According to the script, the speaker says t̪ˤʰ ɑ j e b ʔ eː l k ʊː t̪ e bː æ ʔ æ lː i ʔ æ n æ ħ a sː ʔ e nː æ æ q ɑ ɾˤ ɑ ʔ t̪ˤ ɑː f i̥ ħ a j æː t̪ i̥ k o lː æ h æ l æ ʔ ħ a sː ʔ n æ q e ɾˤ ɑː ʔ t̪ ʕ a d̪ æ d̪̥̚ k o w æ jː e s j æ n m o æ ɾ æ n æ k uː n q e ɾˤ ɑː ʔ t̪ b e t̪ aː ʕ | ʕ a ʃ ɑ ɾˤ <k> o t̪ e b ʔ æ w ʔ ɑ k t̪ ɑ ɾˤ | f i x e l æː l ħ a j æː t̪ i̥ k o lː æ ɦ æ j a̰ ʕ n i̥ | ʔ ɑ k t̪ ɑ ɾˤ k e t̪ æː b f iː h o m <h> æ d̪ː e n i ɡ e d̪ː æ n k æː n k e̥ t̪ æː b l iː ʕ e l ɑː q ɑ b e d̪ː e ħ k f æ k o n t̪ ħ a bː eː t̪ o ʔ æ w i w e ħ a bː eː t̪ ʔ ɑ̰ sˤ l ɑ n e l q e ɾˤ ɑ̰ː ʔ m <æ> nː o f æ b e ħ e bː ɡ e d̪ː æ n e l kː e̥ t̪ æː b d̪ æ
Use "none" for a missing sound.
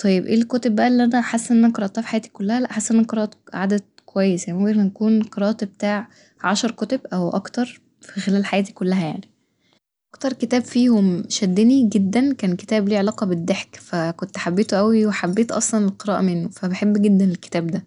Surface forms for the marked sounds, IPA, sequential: k, ʃ, e

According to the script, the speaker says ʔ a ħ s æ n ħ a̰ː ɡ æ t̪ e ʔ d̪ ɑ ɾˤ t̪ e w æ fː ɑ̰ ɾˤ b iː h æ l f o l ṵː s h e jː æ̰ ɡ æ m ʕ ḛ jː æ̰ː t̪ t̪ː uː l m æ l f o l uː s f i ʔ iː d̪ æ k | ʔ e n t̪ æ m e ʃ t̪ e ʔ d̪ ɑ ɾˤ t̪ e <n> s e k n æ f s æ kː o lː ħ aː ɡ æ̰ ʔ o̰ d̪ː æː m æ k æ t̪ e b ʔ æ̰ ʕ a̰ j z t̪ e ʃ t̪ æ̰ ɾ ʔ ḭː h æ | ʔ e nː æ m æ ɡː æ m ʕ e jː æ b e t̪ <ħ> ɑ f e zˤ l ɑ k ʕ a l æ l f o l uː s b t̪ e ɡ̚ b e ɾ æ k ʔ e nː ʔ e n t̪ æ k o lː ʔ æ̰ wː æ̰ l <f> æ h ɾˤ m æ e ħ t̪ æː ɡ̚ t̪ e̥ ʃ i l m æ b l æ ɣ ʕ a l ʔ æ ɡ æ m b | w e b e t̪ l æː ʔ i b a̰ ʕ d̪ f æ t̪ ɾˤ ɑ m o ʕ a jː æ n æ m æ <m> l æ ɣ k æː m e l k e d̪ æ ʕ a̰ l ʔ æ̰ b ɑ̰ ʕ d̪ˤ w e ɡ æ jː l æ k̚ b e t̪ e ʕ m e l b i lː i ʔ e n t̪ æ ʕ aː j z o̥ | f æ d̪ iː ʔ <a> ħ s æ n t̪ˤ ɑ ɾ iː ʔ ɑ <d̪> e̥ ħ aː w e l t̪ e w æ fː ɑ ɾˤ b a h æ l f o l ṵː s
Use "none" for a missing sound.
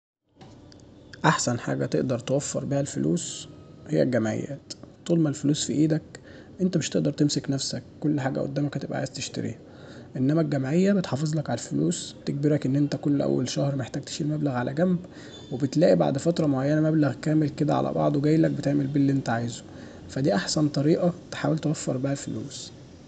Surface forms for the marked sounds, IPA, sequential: m, ħ, ʃ, b, a, t̪

